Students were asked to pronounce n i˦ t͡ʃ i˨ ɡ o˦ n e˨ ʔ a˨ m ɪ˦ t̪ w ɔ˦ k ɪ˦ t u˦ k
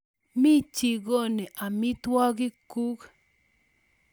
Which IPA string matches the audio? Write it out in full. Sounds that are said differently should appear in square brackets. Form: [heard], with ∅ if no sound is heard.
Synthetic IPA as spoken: [m] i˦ t͡ʃ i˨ ɡ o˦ n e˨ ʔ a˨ m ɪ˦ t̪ w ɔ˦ [ɡ] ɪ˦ [k] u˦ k